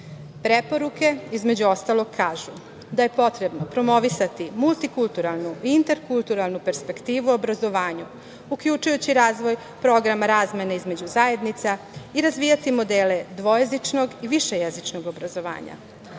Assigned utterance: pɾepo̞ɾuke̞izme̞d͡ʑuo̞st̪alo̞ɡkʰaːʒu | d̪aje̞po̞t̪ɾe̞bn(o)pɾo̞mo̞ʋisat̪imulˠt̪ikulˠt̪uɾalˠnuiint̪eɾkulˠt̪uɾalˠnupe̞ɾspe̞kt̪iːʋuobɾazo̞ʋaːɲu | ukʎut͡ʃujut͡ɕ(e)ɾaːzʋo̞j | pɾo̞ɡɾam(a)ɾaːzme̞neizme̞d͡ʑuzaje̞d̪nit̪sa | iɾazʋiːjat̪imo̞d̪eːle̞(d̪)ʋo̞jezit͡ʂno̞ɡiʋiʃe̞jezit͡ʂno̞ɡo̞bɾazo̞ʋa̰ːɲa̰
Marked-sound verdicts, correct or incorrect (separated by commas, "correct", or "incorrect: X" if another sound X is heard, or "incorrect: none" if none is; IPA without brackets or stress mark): correct, incorrect: i, correct, correct